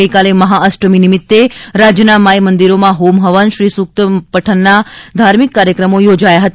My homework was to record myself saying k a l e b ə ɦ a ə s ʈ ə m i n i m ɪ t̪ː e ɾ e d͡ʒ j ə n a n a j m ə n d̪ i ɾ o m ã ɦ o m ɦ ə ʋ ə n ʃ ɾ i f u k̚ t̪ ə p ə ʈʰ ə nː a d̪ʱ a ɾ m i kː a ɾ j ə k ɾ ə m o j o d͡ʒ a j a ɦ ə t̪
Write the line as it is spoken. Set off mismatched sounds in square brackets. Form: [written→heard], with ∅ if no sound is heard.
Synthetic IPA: k a l e [b→m] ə ɦ a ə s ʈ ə m i n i m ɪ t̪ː e ɾ [e→a] d͡ʒ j ə n a [n→m] a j m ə n d̪ i ɾ o m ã ɦ o m ɦ ə ʋ ə n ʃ ɾ i [f→s] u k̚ t̪ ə p ə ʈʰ ə nː a d̪ʱ a ɾ m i kː a ɾ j ə k ɾ ə m o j o d͡ʒ a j a ɦ ə t̪

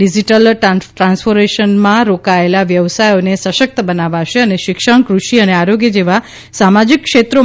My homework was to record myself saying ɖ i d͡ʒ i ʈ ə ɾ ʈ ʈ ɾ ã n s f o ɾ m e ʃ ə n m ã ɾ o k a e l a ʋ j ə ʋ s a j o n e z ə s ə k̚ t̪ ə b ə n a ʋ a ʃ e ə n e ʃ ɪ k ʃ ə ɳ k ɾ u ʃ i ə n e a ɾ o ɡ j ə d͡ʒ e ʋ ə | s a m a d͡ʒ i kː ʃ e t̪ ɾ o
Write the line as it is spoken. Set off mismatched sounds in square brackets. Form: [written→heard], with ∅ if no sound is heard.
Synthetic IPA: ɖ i d͡ʒ i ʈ ə [ɾ→l] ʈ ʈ ɾ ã n s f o ɾ m e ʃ ə n m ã ɾ o k a e l a ʋ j ə ʋ s a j o n e [z→s] ə [s→ʃ] ə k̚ t̪ ə b ə n a ʋ a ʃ e ə n e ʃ ɪ k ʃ ə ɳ k ɾ u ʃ i ə n e a ɾ o ɡ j ə d͡ʒ e ʋ [ə→a] | s a m a d͡ʒ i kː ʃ e t̪ ɾ o

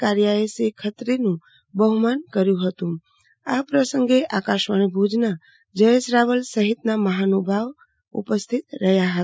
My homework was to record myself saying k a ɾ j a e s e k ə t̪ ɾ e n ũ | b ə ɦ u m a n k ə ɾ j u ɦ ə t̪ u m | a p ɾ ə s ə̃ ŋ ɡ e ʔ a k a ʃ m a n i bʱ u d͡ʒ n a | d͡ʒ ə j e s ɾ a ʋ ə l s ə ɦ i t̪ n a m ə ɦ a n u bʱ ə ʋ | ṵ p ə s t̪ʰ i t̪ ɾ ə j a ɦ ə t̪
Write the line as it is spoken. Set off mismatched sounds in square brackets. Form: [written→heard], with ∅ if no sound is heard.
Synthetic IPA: k a ɾ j a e s e [k→kʰ] ə t̪ ɾ e n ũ | b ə ɦ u m a n k ə ɾ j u ɦ ə t̪ u m | a p ɾ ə s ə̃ ŋ ɡ e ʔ a k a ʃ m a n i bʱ u d͡ʒ n a | d͡ʒ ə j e s ɾ a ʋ ə l s ə ɦ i t̪ n a m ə ɦ a n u bʱ [ə→a] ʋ | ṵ p ə s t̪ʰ i t̪ ɾ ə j a ɦ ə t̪

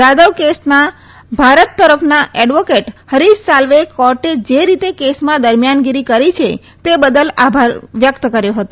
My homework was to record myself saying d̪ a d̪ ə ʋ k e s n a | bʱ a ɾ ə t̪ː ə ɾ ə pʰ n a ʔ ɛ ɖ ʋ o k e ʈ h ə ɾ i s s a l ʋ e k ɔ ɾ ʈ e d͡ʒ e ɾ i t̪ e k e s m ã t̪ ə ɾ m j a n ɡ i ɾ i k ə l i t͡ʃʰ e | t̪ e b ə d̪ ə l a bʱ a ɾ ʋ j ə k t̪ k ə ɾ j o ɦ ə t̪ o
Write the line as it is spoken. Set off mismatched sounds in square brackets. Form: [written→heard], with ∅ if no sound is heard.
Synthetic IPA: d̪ a d̪ ə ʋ k e s n a | bʱ a ɾ ə t̪ː ə ɾ ə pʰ n a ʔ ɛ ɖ ʋ o k e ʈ h ə ɾ i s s a l ʋ e k ɔ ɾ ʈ e d͡ʒ e ɾ i t̪ e k e s m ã [t̪→d̪] ə ɾ m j a n ɡ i ɾ i k ə [l→ɾ] i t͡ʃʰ e | t̪ e b ə d̪ ə l a bʱ a ɾ ʋ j ə k t̪ k ə ɾ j o ɦ ə t̪ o

